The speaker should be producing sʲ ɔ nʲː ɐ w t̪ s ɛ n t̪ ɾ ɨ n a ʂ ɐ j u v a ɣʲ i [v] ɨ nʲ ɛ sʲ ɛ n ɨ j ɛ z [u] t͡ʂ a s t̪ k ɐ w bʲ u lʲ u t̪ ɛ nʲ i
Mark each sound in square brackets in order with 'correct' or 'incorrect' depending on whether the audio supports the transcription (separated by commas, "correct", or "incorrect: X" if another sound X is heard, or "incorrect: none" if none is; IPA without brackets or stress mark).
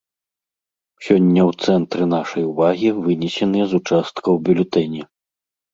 correct, correct